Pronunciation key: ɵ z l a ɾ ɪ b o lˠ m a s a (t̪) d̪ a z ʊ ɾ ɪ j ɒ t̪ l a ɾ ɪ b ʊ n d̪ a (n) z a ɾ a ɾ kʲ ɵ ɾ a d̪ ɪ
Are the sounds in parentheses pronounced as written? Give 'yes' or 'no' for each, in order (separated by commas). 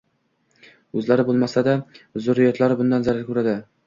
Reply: no, yes